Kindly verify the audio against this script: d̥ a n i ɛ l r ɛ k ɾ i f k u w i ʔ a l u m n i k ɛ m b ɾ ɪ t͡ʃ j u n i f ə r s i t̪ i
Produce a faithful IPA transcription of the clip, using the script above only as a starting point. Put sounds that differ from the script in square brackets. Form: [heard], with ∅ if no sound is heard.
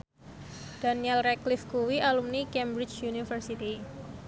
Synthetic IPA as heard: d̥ a n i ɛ l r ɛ k [l] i f k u w i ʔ a l u m n i k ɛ m b ɾ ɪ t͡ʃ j u n i f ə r s i t̪ i

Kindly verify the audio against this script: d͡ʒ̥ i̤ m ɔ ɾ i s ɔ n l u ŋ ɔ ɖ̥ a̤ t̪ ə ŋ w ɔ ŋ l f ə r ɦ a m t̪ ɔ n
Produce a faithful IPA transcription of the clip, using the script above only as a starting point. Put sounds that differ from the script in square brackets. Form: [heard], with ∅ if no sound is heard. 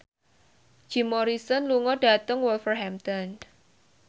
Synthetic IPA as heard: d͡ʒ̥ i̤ m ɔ ɾ i s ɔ n l u ŋ ɔ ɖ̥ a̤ t̪ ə ŋ w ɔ [∅] l f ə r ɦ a m t̪ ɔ n

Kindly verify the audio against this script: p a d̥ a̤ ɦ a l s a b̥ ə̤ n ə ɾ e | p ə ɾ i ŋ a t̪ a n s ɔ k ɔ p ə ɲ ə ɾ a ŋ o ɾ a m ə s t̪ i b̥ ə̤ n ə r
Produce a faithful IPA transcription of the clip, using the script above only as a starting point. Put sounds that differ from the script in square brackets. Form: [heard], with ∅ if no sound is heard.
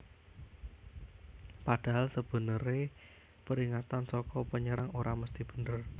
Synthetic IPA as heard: p a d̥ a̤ ɦ a l s [ə] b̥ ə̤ n ə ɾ e | p ə ɾ i ŋ a t̪ a n s ɔ k ɔ p ə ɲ ə ɾ a ŋ o ɾ a m ə s t̪ i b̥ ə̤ n ə r

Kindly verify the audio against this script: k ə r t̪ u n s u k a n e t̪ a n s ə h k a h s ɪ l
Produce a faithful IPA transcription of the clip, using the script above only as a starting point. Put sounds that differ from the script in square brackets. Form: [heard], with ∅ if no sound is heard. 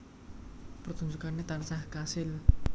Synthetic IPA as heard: [p] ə r t̪ u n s u k a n e t̪ a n s [a] h k a [∅] s ɪ l

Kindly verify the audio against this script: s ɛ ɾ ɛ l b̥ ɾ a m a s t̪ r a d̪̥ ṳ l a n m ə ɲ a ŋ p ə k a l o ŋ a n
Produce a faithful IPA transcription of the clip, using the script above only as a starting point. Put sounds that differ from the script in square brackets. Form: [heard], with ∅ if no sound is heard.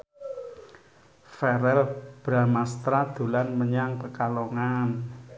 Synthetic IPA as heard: [f] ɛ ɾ ɛ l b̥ ɾ a m a s t̪ [ɾ] a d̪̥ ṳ l a n m ə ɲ a ŋ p ə k a l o ŋ a n

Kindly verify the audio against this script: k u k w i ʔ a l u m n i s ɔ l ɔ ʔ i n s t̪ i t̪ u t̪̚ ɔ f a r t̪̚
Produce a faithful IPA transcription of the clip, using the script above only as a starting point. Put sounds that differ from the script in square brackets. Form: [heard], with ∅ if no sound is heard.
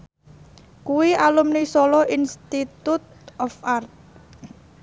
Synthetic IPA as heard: k u [∅] w i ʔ a l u m n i s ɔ l ɔ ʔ i n s t̪ i t̪ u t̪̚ ɔ f a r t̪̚

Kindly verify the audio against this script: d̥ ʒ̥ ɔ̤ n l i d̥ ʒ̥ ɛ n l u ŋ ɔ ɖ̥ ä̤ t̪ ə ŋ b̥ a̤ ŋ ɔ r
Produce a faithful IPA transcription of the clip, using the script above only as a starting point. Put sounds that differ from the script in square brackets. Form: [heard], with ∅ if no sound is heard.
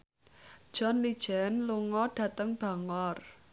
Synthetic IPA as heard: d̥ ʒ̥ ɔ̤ n l i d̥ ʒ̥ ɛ n l u ŋ ɔ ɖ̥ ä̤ t̪ ə ŋ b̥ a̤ ŋ ɔ r

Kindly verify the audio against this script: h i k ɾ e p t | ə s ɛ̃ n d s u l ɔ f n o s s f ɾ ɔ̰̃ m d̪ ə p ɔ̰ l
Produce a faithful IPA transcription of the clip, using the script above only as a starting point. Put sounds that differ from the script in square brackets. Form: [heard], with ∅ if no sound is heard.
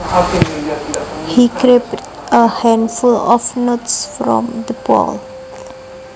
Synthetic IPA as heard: h i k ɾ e p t | ə [h] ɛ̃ n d [f] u l ɔ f n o [t] s f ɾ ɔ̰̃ m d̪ ə p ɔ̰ l

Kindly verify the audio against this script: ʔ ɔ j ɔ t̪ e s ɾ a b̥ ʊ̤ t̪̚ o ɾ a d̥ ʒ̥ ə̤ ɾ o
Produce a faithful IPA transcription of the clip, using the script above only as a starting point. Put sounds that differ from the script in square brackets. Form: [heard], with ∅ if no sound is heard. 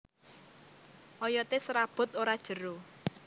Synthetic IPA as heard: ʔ ɔ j ɔ t̪ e s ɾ a b̥ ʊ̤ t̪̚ o ɾ a d̥ ʒ̥ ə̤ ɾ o

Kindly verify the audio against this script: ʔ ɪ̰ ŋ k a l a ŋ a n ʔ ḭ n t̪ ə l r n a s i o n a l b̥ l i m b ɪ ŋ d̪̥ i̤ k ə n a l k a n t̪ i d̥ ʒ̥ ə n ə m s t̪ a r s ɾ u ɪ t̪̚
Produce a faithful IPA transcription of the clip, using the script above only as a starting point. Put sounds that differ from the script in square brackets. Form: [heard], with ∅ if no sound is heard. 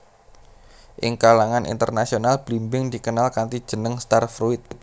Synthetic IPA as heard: ʔ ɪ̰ ŋ k a l a ŋ a n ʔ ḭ n t̪ ə [∅] r n a s i o n a l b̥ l i m b ɪ ŋ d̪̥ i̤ k ə n a l k a n t̪ i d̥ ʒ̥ ə n ə [ŋ] s t̪ a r [f] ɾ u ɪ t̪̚

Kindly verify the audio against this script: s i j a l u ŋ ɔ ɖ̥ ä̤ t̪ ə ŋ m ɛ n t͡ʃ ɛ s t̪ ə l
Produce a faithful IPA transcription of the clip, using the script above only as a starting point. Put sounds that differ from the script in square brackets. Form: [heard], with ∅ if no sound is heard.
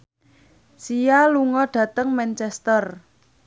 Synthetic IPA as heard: s i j a l u ŋ ɔ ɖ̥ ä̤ t̪ ə ŋ m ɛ n t͡ʃ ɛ s t̪ ə [r]

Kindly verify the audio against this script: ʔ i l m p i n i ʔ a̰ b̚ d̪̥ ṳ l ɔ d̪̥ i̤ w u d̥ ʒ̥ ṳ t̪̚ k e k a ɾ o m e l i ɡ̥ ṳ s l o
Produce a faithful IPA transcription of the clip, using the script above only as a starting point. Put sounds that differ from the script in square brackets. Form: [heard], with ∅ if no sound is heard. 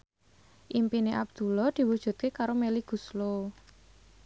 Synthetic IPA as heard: ʔ i [∅] m p i n [e] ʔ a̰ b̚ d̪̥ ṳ l ɔ d̪̥ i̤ w u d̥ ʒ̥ ṳ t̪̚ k e k a ɾ o m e l i ɡ̥ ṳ s l o

